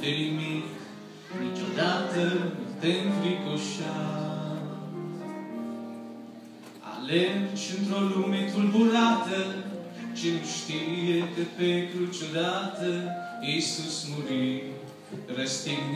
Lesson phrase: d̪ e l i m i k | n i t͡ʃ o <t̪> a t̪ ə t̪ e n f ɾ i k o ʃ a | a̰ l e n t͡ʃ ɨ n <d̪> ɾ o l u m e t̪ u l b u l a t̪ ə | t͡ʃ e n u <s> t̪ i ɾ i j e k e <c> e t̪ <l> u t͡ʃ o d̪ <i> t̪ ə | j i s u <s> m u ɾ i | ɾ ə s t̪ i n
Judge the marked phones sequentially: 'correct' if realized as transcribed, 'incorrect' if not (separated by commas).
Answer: incorrect, incorrect, incorrect, incorrect, incorrect, incorrect, correct